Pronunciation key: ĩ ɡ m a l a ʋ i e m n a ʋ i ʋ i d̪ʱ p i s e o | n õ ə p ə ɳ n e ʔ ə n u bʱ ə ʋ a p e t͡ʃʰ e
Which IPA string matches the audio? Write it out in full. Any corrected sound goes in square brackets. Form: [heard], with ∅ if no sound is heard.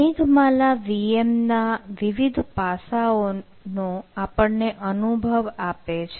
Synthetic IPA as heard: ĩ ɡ m a l a ʋ i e m n a ʋ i ʋ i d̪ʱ p [a] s [a] o | n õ [a] p ə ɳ n e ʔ ə n u bʱ ə ʋ a p e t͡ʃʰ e